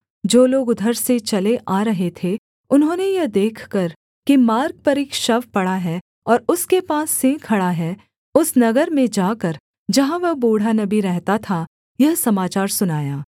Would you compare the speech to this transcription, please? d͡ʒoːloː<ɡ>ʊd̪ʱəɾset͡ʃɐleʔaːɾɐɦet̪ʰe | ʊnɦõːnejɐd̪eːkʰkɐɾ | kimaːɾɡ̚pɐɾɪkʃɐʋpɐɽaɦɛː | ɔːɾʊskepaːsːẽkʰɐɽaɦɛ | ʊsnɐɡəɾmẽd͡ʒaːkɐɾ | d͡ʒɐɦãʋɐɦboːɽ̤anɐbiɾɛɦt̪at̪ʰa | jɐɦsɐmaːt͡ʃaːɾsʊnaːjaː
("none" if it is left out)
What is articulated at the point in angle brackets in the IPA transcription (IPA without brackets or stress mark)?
ɡ